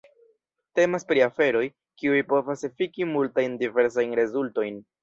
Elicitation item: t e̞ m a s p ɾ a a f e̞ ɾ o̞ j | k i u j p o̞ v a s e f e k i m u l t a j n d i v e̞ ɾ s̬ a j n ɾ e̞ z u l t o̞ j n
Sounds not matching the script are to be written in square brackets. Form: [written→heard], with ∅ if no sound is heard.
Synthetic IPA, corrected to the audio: t e̞ m a s p ɾ [a→i] a f e̞ ɾ o̞ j | k i u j p o̞ v a s e f [e→i] k i m u l t a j n d i v e̞ ɾ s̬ a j n ɾ e̞ z u l t o̞ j n